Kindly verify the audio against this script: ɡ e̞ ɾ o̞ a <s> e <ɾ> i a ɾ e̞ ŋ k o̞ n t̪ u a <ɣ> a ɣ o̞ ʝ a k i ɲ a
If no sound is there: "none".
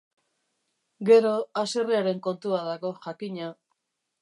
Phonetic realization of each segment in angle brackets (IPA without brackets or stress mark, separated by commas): s, r, ð